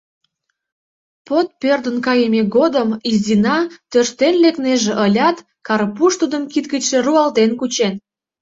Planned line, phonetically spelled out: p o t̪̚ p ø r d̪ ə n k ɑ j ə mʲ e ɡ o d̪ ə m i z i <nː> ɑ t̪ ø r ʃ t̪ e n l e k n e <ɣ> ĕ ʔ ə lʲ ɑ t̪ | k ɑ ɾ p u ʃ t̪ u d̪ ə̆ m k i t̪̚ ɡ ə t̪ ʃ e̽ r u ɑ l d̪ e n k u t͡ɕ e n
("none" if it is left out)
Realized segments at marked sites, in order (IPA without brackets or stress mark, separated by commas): n, ʒ